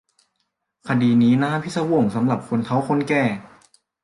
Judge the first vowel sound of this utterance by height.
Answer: low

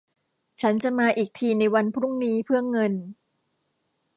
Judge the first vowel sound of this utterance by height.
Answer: low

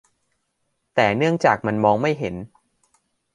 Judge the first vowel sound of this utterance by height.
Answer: mid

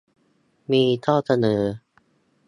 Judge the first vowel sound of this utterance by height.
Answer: high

